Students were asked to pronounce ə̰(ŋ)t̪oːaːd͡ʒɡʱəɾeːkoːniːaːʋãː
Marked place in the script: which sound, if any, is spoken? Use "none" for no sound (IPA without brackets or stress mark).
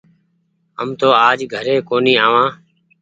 m